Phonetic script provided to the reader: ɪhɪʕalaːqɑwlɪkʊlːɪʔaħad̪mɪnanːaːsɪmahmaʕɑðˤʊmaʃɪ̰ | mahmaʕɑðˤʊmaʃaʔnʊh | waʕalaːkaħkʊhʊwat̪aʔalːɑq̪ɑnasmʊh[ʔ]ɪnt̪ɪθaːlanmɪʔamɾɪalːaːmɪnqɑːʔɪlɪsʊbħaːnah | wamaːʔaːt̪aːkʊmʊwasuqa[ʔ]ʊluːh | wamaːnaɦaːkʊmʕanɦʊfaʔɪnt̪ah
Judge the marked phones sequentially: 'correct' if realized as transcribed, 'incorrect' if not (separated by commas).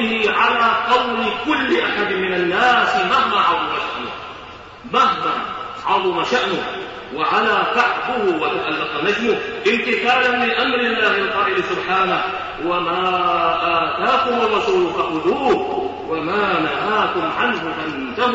correct, correct